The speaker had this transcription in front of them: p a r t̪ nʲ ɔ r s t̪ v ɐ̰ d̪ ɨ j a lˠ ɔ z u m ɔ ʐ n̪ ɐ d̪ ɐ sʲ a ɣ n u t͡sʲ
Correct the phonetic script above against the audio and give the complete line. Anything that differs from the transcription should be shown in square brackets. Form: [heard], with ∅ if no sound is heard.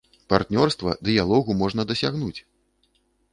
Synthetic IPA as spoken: p a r t̪ nʲ ɔ r s t̪ v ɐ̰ d̪ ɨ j a lˠ ɔ [ɣ] u m ɔ ʐ n̪ ɐ d̪ ɐ sʲ a ɣ n u t͡sʲ